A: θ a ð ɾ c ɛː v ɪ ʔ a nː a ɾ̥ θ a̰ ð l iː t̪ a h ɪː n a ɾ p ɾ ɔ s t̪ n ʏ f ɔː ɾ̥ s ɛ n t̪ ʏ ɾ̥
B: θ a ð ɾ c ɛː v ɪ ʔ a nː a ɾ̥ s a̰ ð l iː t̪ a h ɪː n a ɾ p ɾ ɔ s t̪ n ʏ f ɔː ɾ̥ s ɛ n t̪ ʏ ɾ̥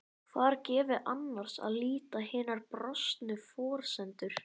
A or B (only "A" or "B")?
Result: B